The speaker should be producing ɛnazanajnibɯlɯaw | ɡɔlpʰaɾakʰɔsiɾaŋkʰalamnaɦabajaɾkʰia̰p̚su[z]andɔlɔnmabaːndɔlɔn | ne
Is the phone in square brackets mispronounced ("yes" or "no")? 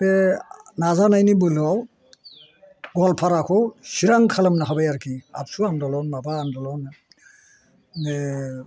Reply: yes